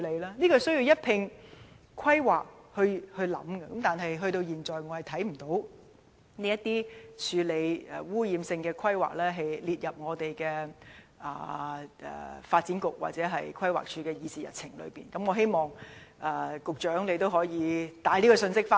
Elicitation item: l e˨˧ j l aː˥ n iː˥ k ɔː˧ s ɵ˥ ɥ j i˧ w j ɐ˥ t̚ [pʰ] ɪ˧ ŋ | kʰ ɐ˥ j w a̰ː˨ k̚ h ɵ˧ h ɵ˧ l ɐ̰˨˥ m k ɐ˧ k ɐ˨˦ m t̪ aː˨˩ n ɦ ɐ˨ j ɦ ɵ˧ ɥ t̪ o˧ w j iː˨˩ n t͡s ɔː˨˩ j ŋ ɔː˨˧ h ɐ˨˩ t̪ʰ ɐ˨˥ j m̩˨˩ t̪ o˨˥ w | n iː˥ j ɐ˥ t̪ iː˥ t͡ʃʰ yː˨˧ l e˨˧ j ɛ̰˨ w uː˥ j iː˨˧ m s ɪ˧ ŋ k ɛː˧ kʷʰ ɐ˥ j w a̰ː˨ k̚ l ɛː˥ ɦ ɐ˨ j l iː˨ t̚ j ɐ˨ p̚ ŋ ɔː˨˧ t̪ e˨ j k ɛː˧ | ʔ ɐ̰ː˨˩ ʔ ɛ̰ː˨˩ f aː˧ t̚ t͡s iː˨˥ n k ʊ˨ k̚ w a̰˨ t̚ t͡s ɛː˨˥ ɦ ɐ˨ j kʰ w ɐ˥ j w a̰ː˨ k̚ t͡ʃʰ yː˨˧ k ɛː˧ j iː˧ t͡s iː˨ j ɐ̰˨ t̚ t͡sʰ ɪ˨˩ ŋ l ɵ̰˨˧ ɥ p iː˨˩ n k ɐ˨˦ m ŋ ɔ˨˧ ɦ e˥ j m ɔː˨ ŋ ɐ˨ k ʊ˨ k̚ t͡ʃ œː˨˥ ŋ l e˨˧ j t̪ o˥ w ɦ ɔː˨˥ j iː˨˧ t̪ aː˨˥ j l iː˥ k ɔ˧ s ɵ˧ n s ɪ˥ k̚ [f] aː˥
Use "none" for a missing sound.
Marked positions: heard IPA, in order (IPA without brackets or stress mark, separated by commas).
pʰ, f